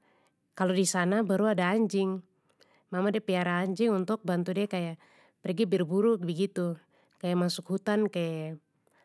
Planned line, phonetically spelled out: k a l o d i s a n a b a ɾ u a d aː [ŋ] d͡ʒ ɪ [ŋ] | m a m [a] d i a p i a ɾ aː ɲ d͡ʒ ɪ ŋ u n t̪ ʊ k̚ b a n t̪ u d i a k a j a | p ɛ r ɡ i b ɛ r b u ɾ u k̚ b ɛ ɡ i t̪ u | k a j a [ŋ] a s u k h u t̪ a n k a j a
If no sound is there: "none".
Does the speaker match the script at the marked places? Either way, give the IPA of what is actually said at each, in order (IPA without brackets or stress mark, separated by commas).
ɲ, ŋ, a, m